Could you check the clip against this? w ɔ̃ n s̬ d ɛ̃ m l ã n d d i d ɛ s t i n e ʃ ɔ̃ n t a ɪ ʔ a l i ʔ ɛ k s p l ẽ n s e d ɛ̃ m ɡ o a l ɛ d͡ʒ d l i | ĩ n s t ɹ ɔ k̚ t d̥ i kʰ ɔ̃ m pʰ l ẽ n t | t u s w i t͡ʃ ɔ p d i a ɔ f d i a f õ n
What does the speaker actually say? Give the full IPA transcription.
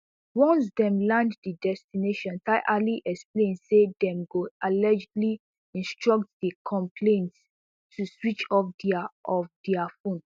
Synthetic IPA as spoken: w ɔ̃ n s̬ d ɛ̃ m l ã n d d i d ɛ s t i n e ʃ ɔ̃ n t a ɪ ʔ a l i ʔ ɛ k s p l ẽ n s e d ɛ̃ m ɡ o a l ɛ d͡ʒ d l i | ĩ n s t ɹ ɔ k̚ t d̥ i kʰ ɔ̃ m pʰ l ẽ n t | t u s w i t͡ʃ ɔ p d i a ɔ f d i a f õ n

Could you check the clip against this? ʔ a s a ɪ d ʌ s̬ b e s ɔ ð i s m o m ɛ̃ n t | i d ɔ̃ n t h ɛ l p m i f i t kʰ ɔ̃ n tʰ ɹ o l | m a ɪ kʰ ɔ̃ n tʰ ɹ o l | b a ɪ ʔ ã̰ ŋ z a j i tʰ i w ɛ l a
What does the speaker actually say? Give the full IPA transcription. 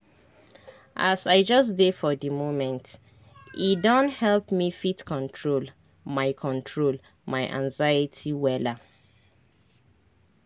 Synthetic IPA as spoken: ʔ a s a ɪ d͡ʒ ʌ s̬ d e f ɔ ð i m o m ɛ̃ n t | i d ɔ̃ n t h ɛ l p m i f i t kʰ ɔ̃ n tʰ ɹ o l | m a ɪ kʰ ɔ̃ n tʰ ɹ o l | m a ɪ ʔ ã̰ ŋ z a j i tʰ i w ɛ l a

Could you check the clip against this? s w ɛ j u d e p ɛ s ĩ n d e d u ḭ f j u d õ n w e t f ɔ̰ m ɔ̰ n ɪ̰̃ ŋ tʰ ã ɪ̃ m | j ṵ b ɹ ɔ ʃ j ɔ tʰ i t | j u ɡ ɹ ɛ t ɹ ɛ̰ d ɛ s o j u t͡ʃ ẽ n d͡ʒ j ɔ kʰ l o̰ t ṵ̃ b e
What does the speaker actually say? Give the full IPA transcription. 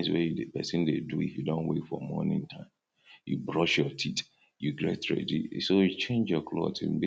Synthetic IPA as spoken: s w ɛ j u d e p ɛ s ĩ n d e d u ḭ f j u d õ n w e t f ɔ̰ m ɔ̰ n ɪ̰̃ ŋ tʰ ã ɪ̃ m | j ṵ b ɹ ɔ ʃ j ɔ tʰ i t | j u ɡ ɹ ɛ t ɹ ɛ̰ d i s o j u t͡ʃ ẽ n d͡ʒ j ɔ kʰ l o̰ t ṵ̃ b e

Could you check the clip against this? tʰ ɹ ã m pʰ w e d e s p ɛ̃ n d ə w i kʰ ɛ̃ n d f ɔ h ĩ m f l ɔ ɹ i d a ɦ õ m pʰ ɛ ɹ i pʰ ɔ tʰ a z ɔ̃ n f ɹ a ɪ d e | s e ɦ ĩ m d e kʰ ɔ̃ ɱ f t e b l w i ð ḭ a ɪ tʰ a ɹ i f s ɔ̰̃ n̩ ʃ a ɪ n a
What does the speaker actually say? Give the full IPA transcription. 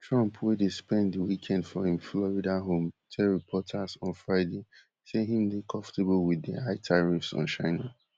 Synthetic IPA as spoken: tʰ ɹ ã m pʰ w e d e s p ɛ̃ n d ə w i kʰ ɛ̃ n d f ɔ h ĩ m f l ɔ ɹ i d a ɦ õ m tʰ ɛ ɹ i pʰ ɔ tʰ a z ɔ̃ n f ɹ a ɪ d e | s e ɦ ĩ m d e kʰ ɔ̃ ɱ f t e b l w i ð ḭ a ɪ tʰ a ɹ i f s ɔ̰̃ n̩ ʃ a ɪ n a

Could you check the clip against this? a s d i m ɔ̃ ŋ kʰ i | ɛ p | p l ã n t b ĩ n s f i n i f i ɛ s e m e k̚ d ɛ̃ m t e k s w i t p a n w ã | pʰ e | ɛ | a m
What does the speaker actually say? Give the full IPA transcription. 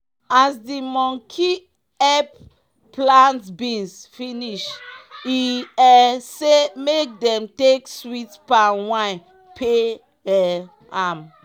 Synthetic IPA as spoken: a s d i m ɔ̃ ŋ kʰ i | ɛ p | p l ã n t b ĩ n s f i n i ʃ i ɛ s e m e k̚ d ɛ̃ m t e k s w i t p a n w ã | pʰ e | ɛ | a m

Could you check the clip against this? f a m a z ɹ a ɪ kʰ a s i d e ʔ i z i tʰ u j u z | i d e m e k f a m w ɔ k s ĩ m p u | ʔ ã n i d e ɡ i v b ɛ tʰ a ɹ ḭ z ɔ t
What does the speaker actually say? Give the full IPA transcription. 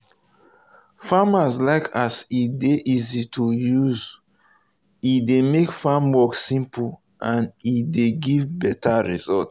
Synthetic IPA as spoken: f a m a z l a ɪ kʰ a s i d e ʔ i z i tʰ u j u z | i d e m e k f a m w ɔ k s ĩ m p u | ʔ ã n i d e ɡ i v b ɛ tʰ a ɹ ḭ z ɔ t

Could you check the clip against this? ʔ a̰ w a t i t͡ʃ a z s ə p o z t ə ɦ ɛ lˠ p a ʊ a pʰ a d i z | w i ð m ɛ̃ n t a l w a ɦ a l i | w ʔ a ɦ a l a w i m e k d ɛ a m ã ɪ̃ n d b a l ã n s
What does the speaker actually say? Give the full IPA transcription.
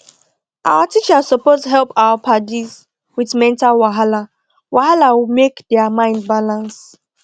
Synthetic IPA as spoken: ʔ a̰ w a t i t͡ʃ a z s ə p o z t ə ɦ ɛ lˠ p a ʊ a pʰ a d i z | w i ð m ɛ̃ n t a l w a ɦ a l a | w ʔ a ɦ a l a w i m e k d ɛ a m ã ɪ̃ n d b a l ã n s

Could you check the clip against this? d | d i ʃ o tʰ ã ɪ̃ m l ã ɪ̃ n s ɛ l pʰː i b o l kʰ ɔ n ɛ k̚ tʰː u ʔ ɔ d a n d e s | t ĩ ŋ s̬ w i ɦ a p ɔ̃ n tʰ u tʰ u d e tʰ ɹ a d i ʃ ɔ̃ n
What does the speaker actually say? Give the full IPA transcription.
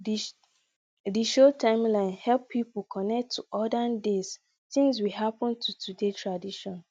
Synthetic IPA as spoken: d | d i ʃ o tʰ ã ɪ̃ m l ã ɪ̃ n h ɛ l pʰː i p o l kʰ ɔ n ɛ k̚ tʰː u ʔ ɔ d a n d e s | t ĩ ŋ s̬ w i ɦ a p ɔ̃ n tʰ u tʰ u d e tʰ ɹ a d i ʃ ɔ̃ n

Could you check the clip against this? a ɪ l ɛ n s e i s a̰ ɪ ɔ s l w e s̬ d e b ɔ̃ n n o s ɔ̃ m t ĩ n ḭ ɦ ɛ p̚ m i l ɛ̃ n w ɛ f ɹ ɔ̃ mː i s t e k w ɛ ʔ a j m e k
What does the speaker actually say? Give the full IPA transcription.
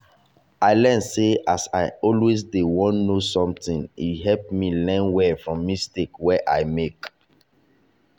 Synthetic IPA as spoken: a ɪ l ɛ n s e a s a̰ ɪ ɔ l w e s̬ d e w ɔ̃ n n o s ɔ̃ m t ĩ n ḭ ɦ ɛ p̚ m i l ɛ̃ n w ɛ f ɹ ɔ̃ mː i s t e k w ɛ ʔ a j m e k

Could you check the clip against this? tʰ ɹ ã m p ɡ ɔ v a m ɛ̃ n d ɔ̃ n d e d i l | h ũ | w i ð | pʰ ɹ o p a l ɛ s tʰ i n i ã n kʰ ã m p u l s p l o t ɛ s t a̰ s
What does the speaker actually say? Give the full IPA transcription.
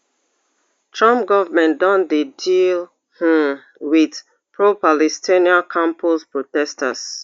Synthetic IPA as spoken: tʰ ɹ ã m p ɡ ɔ v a m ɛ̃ n d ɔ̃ n d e d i l | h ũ | w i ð | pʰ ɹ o p a l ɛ s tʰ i n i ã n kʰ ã m p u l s p ɹ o t ɛ s t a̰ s

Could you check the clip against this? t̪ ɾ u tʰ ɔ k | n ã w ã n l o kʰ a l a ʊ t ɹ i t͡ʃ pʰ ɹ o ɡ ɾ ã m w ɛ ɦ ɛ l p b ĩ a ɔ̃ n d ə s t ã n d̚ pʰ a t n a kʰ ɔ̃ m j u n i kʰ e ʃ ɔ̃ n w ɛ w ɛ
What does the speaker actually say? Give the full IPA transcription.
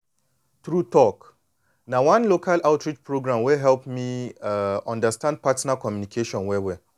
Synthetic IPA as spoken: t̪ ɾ u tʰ ɔ k | n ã w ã n l o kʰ a l a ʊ t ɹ i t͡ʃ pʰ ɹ o ɡ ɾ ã m w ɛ ɦ ɛ l p m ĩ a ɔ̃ n d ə s t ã n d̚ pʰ a t n a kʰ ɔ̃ m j u n i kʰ e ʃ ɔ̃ n w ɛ w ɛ

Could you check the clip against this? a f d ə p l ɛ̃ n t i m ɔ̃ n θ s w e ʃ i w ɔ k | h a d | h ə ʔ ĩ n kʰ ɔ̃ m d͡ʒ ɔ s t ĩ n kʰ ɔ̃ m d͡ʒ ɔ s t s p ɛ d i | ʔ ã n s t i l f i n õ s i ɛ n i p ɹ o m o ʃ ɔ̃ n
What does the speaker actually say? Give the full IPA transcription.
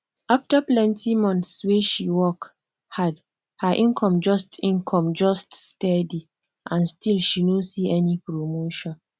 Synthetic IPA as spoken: a f t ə p l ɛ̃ n t i m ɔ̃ n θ s w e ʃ i w ɔ k | h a d | h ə ʔ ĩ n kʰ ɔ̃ m d͡ʒ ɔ s t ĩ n kʰ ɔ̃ m d͡ʒ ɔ s t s t ɛ d i | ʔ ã n s t i l ʃ i n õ s i ɛ n i p ɹ o m o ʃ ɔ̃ n

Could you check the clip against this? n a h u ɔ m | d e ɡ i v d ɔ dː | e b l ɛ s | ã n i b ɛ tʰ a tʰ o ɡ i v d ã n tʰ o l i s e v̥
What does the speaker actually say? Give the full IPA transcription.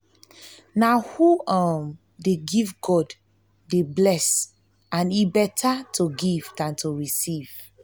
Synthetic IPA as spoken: n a h u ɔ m | d e ɡ i v ɡ ɔ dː | e b l ɛ s | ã n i b ɛ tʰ a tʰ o ɡ i v d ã n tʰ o ɹ i s i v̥

